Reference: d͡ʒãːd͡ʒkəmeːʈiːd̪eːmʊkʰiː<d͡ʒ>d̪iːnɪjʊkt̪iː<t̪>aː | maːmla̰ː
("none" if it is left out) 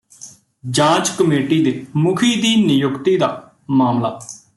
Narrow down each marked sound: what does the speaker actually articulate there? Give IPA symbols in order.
none, d̪

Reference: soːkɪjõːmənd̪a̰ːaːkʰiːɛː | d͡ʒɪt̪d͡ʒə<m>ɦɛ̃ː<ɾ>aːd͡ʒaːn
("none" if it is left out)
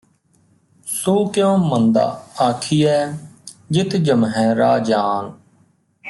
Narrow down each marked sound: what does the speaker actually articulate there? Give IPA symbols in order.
m, ɾ

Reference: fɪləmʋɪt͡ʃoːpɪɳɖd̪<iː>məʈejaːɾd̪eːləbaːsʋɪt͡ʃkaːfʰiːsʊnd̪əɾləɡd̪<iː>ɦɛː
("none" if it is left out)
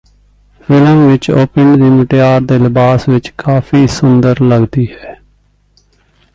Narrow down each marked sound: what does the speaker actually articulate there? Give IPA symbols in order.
iː, iː

